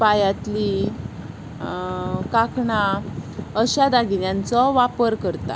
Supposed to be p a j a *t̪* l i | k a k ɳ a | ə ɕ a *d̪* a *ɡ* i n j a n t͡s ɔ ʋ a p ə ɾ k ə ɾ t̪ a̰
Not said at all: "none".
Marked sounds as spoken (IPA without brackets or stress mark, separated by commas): t̪, d̪, ɡ